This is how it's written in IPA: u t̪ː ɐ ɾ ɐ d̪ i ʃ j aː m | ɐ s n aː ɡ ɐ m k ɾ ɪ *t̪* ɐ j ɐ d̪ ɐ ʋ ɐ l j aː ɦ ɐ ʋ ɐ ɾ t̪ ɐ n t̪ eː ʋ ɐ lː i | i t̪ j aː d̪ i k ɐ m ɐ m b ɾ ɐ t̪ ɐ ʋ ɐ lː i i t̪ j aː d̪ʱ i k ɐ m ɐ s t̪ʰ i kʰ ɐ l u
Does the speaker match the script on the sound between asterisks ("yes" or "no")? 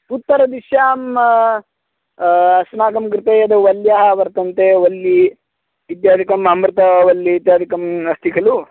yes